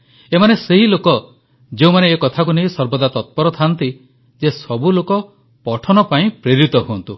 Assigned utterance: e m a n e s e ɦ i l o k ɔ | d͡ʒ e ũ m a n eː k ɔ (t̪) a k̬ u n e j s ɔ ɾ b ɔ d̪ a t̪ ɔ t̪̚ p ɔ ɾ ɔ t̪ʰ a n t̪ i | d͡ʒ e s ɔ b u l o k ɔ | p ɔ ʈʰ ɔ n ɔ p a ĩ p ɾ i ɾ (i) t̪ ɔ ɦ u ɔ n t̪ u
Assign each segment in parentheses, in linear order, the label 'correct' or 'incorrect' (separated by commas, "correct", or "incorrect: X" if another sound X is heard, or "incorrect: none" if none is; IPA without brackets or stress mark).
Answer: incorrect: t̪ʰ, correct